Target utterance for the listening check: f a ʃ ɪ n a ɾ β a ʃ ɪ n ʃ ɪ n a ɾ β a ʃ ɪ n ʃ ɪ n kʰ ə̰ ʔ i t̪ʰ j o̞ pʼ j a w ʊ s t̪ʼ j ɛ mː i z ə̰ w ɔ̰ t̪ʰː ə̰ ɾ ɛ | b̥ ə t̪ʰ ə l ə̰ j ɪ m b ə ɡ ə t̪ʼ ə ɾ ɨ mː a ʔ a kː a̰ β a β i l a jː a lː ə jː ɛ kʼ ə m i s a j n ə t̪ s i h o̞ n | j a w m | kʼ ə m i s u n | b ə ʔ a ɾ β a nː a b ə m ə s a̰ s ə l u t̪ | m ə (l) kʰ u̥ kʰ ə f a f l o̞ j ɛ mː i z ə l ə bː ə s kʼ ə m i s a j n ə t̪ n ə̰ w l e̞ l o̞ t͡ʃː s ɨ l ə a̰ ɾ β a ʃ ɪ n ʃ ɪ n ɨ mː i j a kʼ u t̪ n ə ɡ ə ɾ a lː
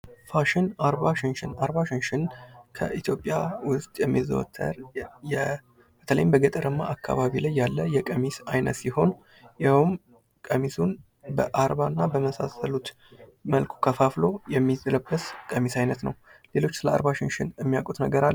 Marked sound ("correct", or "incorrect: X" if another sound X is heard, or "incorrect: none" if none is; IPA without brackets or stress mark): correct